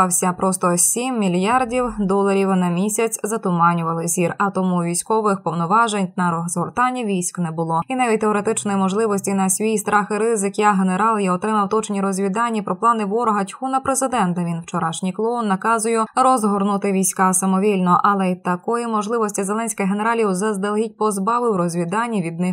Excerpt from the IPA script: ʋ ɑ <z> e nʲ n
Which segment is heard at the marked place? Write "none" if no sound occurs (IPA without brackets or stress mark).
ʒ